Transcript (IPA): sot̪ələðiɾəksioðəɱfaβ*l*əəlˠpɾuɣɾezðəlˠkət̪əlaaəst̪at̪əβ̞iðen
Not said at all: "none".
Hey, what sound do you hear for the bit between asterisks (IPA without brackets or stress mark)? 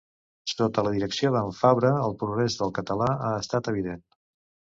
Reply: ɾ